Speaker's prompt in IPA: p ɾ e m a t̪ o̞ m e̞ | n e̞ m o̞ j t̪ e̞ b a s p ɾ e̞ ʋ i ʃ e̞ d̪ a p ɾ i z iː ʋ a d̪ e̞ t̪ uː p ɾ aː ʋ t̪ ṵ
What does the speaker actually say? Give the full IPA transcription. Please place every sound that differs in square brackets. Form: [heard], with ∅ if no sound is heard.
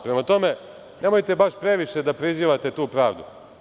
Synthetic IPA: p ɾ e m a t̪ o̞ m e̞ | n e̞ m o̞ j t̪ e̞ b a [ʃ] p ɾ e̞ ʋ i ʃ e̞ d̪ a p ɾ i z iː ʋ a [t̪] e̞ t̪ uː p ɾ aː ʋ [d̪] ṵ